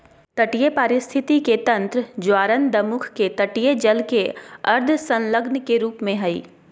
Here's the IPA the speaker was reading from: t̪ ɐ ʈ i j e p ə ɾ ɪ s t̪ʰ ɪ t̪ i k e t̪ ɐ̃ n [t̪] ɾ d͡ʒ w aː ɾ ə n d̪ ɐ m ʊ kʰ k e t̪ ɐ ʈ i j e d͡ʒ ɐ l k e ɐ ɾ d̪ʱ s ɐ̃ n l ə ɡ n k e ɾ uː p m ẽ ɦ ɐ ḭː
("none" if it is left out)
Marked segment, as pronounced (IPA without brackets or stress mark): t̪